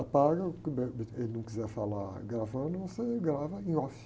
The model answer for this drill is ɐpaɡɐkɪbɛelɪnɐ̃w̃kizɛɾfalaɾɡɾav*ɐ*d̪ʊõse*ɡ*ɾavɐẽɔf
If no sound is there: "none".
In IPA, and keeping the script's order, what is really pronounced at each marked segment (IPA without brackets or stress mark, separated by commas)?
ɐ̃, ɡ